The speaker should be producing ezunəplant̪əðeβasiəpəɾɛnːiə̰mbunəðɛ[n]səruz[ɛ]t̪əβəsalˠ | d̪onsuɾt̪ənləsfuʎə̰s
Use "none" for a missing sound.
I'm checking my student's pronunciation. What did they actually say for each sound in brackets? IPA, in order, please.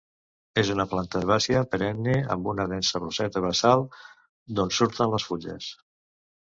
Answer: n, ɛ

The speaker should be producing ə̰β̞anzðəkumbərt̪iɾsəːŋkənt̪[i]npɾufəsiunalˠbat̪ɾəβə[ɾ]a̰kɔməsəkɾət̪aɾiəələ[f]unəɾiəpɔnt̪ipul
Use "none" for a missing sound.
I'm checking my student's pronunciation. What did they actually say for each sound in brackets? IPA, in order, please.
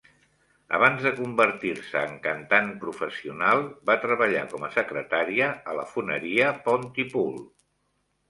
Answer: a, ʎ, f

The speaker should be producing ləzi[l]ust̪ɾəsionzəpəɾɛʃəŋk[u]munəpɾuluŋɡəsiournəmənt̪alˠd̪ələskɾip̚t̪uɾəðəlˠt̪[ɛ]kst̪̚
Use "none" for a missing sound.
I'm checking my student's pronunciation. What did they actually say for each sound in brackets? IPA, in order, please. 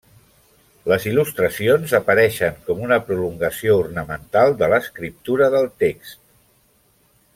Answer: l, ɔ, e

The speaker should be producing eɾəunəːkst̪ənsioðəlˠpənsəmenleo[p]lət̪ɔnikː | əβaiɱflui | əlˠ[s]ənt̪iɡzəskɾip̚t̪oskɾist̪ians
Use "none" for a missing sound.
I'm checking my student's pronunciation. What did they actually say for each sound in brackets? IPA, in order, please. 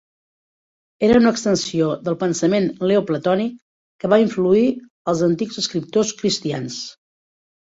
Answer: p, z

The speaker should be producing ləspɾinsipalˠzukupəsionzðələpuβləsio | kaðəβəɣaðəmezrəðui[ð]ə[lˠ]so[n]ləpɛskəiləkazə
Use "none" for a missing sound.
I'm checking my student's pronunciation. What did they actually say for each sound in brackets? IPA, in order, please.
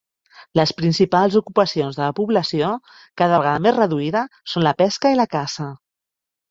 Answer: ð, none, n

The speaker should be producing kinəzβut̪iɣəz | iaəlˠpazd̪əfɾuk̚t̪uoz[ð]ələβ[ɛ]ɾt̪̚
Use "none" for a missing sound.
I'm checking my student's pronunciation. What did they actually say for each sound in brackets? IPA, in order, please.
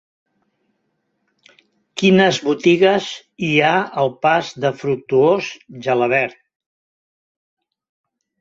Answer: ʒ, ɛ

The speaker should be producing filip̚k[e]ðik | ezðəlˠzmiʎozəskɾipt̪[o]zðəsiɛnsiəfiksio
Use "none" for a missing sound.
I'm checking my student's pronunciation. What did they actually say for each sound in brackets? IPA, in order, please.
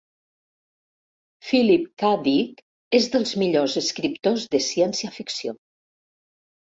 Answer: a, o

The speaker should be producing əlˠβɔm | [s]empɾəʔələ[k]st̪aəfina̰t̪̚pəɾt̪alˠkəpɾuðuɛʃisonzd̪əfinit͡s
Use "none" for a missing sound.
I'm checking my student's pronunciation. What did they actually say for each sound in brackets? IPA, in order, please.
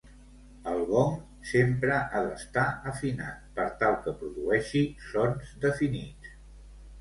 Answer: s, none

